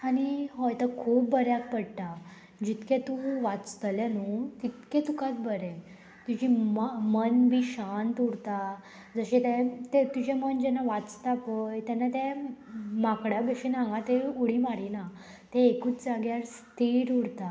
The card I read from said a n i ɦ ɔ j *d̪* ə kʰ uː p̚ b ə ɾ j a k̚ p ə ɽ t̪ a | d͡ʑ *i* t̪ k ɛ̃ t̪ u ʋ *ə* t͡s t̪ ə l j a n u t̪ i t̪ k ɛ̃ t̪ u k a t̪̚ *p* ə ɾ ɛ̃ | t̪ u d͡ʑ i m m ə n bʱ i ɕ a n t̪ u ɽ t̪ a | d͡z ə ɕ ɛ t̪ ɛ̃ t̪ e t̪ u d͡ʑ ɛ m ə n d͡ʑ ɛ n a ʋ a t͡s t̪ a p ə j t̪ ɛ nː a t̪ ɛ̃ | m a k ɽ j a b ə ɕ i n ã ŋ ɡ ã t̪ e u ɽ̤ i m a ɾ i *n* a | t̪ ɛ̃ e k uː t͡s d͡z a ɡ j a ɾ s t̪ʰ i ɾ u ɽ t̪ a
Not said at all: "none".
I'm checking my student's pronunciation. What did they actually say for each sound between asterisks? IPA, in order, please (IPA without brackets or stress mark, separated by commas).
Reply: t̪, i, a, b, n